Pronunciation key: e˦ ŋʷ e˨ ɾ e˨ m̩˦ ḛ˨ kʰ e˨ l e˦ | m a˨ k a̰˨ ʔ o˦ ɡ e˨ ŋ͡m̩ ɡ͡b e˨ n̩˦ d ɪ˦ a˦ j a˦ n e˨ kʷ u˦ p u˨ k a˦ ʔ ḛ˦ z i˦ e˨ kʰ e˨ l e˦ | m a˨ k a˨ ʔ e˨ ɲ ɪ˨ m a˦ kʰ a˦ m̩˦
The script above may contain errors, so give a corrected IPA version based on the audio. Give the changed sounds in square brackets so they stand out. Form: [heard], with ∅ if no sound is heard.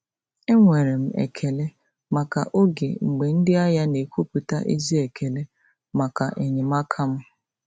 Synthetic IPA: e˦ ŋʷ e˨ ɾ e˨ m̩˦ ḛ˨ kʰ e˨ l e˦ | m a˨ k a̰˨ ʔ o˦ ɡ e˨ ŋ͡m̩ ɡ͡b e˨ n̩˦ d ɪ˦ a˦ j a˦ n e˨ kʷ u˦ p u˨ [t] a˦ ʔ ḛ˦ z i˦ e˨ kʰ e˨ l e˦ | m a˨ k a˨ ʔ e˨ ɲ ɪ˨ m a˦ kʰ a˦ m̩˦